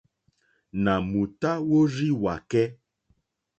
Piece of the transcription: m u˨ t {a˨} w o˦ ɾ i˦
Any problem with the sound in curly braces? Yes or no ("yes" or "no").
yes